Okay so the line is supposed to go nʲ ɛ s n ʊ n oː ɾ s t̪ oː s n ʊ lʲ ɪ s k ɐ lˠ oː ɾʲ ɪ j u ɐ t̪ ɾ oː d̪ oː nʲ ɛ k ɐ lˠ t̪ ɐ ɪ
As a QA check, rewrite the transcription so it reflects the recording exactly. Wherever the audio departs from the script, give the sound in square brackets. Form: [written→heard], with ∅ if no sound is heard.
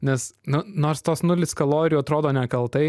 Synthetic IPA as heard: nʲ ɛ s n ʊ n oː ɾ s t̪ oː s n ʊ lʲ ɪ s k ɐ lˠ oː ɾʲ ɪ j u ɐ t̪ ɾ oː d̪ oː nʲ ɛ k ɐ lˠ t̪ ɐ ɪ

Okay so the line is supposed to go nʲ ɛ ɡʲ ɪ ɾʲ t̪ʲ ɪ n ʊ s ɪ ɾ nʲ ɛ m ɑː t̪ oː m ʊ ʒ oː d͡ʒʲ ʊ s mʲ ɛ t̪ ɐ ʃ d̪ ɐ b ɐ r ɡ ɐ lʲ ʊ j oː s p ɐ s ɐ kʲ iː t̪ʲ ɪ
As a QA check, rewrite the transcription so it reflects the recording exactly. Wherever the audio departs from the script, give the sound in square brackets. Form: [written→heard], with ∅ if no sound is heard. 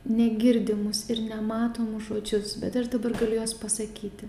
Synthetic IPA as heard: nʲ ɛ ɡʲ ɪ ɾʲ [t̪ʲ→d̪ʲ] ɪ [n→m] ʊ s ɪ ɾ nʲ ɛ m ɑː t̪ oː m ʊ ʒ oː d͡ʒʲ ʊ s [mʲ→bʲ] ɛ t̪ ɐ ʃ d̪ ɐ b ɐ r ɡ ɐ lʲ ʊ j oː s p ɐ s ɐ kʲ iː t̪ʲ ɪ

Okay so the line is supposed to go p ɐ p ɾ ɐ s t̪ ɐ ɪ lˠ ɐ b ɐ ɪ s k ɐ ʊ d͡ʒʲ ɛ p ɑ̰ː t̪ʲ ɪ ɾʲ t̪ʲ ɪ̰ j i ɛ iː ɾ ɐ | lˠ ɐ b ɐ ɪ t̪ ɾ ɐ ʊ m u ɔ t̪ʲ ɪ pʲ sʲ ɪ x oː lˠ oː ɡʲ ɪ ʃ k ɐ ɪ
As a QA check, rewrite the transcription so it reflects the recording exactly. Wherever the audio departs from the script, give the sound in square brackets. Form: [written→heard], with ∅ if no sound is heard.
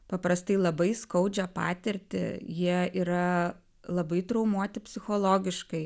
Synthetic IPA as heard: p ɐ p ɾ ɐ s t̪ ɐ ɪ lˠ ɐ b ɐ ɪ s k ɐ ʊ d͡ʒʲ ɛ p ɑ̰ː t̪ʲ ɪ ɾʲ t̪ʲ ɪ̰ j i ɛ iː ɾ ɐ | lˠ ɐ b ɐ ɪ t̪ ɾ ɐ ʊ m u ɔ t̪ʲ ɪ pʲ sʲ ɪ x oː lˠ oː ɡʲ ɪ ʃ k ɐ ɪ

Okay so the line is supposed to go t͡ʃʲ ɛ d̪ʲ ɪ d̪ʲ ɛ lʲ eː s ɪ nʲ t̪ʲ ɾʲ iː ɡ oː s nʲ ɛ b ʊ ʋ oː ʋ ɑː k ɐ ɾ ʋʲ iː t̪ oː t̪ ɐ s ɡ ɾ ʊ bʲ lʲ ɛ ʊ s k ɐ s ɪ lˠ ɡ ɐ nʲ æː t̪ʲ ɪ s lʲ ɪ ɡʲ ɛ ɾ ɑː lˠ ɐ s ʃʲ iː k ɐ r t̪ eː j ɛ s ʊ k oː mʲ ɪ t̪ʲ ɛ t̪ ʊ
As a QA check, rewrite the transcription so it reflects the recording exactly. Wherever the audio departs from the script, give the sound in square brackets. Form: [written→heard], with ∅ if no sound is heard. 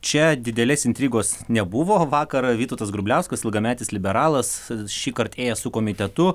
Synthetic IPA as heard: t͡ʃʲ ɛ d̪ʲ ɪ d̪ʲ ɛ lʲ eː s ɪ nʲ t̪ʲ ɾʲ iː ɡ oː s nʲ ɛ b ʊ ʋ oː ʋ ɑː k ɐ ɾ ʋʲ iː t̪ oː t̪ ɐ s ɡ ɾ ʊ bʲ lʲ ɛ ʊ s k ɐ s ɪ lˠ ɡ ɐ [nʲ→mʲ] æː t̪ʲ ɪ s lʲ ɪ [ɡʲ→bʲ] ɛ ɾ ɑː lˠ ɐ s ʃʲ iː k ɐ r t̪ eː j ɛ s ʊ k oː mʲ ɪ t̪ʲ ɛ t̪ ʊ

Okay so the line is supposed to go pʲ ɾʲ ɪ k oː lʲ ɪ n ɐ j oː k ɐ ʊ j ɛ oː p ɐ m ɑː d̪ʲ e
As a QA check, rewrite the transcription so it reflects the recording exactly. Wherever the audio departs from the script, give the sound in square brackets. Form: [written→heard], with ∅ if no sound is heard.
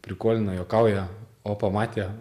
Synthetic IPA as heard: pʲ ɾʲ ɪ k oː lʲ ɪ n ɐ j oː k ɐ ʊ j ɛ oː p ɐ m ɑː [d̪ʲ→t̪ʲ] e

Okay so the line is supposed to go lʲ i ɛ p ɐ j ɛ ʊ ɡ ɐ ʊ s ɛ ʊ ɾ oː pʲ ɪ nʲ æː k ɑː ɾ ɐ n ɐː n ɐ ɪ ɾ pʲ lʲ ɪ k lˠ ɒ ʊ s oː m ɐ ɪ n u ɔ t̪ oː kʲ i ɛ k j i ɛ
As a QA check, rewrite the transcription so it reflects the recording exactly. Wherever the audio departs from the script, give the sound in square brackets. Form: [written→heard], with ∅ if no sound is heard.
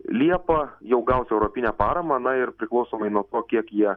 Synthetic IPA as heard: lʲ i ɛ p ɐ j ɛ ʊ ɡ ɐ ʊ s ɛ ʊ ɾ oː pʲ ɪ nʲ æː [k→p] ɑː ɾ ɐ [n→m] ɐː n ɐ ɪ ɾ pʲ [lʲ→ɾʲ] ɪ k lˠ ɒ ʊ s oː m ɐ ɪ n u ɔ t̪ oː kʲ i ɛ k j i ɛ

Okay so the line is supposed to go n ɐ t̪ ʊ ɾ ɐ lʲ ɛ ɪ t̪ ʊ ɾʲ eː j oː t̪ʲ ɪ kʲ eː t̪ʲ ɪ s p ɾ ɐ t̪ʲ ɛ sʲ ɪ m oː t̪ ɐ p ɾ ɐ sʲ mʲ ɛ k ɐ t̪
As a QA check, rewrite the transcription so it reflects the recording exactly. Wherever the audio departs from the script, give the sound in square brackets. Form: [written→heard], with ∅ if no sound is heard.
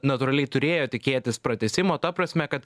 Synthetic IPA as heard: n ɐ t̪ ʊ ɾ ɐ lʲ ɛ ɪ t̪ ʊ ɾʲ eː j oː t̪ʲ ɪ kʲ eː t̪ʲ ɪ s p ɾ ɐ t̪ʲ ɛ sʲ ɪ m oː t̪ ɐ p ɾ ɐ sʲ mʲ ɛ k ɐ t̪

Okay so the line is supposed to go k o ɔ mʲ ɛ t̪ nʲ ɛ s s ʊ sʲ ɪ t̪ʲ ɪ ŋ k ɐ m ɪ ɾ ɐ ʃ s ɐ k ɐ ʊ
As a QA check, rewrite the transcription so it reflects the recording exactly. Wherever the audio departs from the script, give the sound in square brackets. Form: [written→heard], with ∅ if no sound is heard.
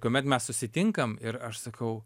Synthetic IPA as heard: k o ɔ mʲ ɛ t̪ [nʲ→mʲ] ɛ s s ʊ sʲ ɪ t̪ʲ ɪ ŋ k ɐ m ɪ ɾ ɐ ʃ s ɐ k ɐ ʊ

